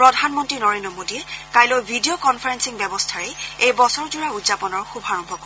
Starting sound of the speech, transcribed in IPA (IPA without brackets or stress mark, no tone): p